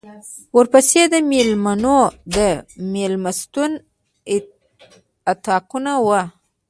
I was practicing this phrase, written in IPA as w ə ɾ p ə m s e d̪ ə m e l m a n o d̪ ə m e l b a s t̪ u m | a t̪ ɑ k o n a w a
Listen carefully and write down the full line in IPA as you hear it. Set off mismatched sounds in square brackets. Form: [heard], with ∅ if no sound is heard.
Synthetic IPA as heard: w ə ɾ p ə [∅] s e d̪ ə m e l m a n o d̪ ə m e l [m] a s t̪ u [n] | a t̪ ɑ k [u] n a w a